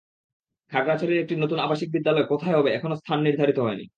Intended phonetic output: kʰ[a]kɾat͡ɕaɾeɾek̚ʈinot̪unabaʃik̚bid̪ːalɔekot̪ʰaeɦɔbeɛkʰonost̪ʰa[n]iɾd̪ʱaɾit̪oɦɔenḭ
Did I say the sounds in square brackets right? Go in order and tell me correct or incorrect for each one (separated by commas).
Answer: correct, incorrect